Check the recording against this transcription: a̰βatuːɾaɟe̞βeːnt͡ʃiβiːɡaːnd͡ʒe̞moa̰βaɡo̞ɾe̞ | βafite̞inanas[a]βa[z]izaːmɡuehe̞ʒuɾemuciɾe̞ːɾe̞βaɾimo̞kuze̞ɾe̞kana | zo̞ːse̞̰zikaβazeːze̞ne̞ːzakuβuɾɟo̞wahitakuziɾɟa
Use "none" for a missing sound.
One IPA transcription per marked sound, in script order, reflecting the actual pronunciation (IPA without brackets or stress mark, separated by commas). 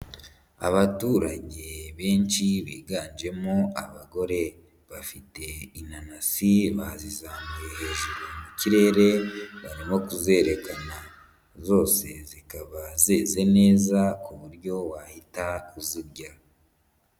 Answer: i, z